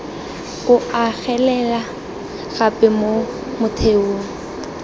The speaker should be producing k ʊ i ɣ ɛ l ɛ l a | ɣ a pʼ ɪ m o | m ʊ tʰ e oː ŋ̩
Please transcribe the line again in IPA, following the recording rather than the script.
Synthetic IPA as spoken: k ʊ a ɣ ɛ l ɛ l a | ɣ a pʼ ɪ m o | m ʊ tʰ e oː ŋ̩